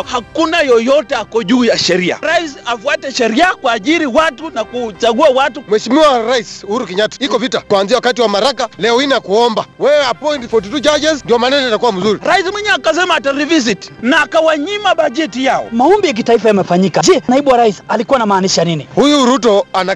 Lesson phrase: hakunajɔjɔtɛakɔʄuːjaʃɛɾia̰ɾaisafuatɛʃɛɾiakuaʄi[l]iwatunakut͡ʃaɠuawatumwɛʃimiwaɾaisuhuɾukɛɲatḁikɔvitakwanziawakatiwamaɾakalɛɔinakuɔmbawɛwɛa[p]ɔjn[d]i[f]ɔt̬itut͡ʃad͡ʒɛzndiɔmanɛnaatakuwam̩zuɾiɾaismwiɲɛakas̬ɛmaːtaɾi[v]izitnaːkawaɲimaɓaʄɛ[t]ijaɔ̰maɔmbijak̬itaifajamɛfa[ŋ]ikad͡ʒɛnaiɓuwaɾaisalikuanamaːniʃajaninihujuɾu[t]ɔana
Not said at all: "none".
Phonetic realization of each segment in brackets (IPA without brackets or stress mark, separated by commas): ɾ, p, t, f, v, t, ɲ, t